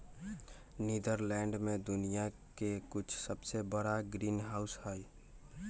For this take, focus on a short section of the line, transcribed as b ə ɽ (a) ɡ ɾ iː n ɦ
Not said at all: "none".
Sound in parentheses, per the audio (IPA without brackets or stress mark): a